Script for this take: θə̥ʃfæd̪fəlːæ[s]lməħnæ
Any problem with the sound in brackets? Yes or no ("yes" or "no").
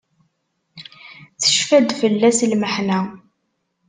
no